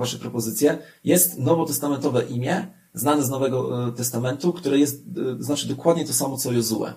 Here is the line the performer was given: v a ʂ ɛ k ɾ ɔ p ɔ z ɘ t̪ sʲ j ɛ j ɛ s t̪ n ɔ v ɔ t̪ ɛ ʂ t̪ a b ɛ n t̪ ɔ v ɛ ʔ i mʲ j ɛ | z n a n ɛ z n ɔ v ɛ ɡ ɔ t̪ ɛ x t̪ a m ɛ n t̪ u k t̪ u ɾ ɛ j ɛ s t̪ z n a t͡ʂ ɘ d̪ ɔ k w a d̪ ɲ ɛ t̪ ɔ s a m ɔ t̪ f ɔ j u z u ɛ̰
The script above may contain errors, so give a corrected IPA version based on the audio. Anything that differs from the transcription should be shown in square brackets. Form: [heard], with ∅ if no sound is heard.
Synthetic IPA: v a ʂ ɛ [p] ɾ ɔ p ɔ z ɘ t̪ sʲ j ɛ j ɛ s t̪ n ɔ v ɔ t̪ ɛ [s] t̪ a [m] ɛ n t̪ ɔ v ɛ ʔ i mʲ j ɛ | z n a n ɛ z n ɔ v ɛ ɡ ɔ t̪ ɛ [s] t̪ a m ɛ n t̪ u k t̪ u ɾ ɛ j ɛ s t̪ z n a t͡ʂ ɘ d̪ ɔ k w a d̪ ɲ ɛ t̪ ɔ s a m ɔ t̪ [s] ɔ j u z u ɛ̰